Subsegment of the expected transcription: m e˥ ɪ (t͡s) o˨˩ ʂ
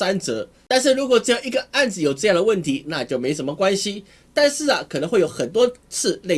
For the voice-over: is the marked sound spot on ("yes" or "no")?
no